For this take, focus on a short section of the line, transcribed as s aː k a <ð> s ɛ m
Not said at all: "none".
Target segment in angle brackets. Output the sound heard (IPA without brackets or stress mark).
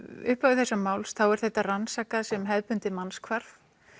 ð